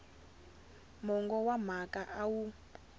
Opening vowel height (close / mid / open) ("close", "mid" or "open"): mid